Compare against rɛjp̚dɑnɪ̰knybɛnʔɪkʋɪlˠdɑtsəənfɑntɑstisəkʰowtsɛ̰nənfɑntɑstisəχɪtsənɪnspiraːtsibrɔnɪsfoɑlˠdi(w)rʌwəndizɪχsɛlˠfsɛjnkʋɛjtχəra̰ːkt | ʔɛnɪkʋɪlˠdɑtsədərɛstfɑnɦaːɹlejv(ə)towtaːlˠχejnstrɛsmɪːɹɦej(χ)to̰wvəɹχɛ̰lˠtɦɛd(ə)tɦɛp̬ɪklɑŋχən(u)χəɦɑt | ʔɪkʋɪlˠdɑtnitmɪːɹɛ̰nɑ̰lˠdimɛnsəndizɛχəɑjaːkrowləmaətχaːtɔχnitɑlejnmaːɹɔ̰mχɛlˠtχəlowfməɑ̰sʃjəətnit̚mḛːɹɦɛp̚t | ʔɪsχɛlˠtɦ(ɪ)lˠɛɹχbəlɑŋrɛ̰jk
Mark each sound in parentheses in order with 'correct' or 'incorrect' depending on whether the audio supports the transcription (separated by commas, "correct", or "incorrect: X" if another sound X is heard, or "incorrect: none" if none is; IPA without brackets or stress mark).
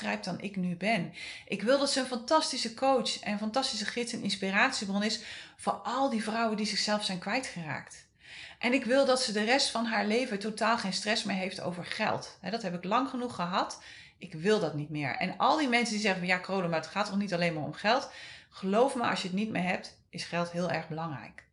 incorrect: v, correct, incorrect: f, incorrect: ɑ, correct, incorrect: ɪː